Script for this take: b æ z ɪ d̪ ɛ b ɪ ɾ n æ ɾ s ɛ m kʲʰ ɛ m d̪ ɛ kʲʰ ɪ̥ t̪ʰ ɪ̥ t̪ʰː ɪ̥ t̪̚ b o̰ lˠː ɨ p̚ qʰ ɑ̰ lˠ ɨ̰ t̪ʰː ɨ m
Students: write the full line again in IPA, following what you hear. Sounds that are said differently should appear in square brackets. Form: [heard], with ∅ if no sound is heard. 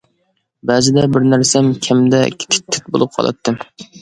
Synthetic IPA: b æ z ɪ d̪ ɛ b ɪ ɾ n æ ɾ s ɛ m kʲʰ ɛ m d̪ ɛ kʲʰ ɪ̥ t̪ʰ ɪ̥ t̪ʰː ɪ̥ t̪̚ b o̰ [lˠ] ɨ p̚ qʰ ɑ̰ lˠ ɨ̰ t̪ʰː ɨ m